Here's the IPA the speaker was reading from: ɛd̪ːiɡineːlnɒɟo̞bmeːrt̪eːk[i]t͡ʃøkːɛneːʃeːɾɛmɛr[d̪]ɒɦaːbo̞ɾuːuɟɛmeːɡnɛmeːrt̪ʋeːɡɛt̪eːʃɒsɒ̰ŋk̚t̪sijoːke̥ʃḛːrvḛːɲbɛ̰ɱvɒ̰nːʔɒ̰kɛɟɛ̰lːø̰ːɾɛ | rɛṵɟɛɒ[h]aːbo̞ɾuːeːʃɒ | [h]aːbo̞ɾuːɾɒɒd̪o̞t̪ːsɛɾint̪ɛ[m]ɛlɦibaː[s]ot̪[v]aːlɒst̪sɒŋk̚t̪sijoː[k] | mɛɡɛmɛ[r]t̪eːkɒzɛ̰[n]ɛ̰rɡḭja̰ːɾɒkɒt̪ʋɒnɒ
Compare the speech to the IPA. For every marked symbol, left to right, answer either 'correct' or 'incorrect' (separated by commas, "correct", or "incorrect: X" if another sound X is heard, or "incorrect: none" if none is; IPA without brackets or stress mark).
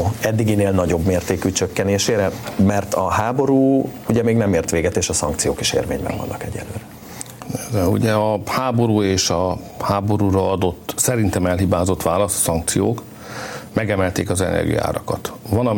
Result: incorrect: y, incorrect: t̪, correct, correct, correct, incorrect: z, incorrect: ʋ, correct, incorrect: l, correct